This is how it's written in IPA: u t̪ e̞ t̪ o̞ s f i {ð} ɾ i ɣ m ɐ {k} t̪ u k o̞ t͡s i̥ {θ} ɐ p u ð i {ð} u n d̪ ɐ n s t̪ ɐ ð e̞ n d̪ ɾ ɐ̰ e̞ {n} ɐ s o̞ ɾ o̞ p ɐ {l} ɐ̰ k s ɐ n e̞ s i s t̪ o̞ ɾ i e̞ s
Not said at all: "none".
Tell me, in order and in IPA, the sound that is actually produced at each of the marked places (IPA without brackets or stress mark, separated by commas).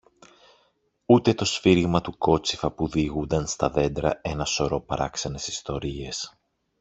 none, none, f, ɣ, n, ɾ